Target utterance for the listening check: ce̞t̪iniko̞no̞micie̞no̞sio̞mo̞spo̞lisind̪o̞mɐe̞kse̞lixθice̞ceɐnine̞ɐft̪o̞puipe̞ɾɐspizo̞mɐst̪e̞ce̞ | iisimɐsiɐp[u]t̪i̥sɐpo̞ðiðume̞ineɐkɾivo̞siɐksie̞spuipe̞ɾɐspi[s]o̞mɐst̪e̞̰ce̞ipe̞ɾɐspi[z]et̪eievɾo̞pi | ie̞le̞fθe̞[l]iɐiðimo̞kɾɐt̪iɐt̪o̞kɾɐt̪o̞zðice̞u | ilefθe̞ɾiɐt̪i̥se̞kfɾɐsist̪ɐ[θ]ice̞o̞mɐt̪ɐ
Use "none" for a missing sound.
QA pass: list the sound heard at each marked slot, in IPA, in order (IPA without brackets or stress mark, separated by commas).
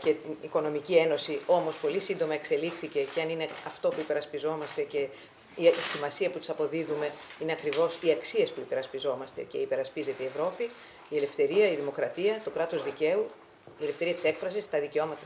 u, z, z, ɾ, ð